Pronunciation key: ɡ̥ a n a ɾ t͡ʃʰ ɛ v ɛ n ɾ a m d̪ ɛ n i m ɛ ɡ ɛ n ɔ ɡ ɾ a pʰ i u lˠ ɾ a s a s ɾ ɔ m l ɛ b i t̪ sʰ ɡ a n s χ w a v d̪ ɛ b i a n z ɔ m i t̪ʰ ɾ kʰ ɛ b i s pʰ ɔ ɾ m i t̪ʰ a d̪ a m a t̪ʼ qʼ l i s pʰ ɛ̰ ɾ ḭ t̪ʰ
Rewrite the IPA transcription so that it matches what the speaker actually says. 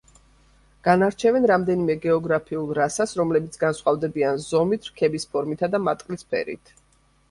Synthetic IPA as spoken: ɡ̥ a n a ɾ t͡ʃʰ ɛ v ɛ n ɾ a m d̪ ɛ n i m ɛ ɡ ɛ ɔ ɡ ɾ a pʰ i u lˠ ɾ a s a s ɾ ɔ m l ɛ b i t̪ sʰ ɡ a n s χ w a v d̪ ɛ b i a n z ɔ m i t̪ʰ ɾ kʰ ɛ b i s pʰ ɔ ɾ m i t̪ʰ a d̪ a m a t̪ʼ qʼ l i s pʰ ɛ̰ ɾ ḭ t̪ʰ

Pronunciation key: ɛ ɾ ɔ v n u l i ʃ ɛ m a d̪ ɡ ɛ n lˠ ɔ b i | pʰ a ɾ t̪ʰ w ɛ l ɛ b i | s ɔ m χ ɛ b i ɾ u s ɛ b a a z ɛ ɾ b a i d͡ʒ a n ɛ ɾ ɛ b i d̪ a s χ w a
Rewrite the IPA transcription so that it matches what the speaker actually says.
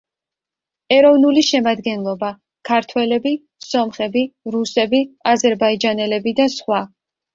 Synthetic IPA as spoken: ɛ ɾ ɔ v n u l i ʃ ɛ m a d̪ ɡ ɛ n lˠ ɔ b a | kʰ a ɾ t̪ʰ w ɛ l ɛ b i | s ɔ m χ ɛ b i ɾ u s ɛ b i a z ɛ ɾ b a i d͡ʒ a n ɛ l ɛ b i d̪ a s χ w a

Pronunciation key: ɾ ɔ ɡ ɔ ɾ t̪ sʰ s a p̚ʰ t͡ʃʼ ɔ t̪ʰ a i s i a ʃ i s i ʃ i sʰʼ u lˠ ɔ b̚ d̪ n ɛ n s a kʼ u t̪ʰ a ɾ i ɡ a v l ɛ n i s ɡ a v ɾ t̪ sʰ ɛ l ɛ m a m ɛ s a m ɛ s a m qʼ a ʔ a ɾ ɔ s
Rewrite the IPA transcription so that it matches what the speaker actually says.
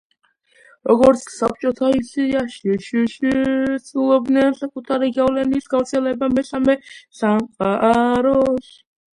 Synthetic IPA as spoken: ɾ ɔ ɡ ɔ ɾ t̪ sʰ s a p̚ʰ t͡ʃʼ ɔ t̪ʰ a i s i a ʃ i ʃ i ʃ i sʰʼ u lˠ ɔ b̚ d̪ n ɛ n s a kʼ u t̪ʰ a ɾ i ɡ a v l ɛ n i s ɡ a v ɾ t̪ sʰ ɛ l ɛ b a m ɛ s a m ɛ s a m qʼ a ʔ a ɾ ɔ s

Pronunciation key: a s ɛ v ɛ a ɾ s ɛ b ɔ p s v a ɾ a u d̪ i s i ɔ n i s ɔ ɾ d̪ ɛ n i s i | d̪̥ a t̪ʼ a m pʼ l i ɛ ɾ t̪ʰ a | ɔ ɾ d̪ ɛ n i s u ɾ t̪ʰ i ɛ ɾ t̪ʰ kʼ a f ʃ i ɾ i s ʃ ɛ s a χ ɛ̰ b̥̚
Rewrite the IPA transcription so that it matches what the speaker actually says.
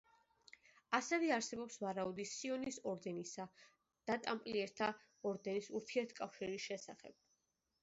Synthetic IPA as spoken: a s ɛ v ɛ a ɾ s ɛ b ɔ p s v a ɾ a u d̪ i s i ɔ n i s ɔ ɾ d̪ ɛ n i s a | d̪̥ a t̪ʼ a m pʼ l i ɛ ɾ t̪ʰ a | ɔ ɾ d̪ ɛ n i s u ɾ t̪ʰ i ɛ ɾ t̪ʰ kʼ a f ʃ i ɾ i s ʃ ɛ s a χ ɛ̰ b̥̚

